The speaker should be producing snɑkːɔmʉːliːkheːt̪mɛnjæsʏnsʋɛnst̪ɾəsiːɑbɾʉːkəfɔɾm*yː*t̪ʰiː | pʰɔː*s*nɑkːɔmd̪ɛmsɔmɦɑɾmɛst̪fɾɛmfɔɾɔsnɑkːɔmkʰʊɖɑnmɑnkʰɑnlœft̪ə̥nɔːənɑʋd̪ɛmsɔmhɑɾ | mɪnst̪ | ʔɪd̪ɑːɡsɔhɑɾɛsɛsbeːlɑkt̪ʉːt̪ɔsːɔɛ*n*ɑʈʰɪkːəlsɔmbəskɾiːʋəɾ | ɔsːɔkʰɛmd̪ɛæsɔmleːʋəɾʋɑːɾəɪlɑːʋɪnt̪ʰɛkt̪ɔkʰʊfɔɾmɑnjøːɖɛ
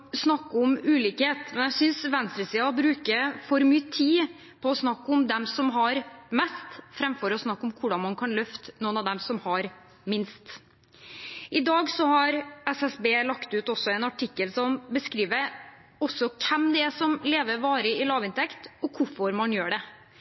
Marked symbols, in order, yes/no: yes, yes, yes

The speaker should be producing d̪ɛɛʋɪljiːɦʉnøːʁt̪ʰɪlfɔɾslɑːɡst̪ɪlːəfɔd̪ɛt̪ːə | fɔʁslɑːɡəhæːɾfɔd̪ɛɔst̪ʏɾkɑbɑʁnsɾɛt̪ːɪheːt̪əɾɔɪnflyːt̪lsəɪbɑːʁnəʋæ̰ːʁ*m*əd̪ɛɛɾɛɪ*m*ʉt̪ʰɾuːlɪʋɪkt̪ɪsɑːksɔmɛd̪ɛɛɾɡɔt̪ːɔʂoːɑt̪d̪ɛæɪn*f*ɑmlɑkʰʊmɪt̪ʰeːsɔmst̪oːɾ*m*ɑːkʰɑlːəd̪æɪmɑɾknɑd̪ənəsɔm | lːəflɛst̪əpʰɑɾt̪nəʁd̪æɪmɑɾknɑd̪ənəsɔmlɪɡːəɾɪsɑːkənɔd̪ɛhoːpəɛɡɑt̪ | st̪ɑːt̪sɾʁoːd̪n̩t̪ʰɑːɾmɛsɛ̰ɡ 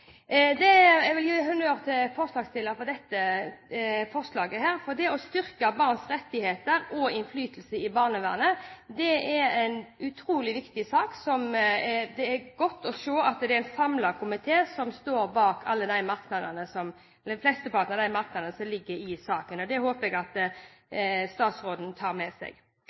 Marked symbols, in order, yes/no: no, no, no, no

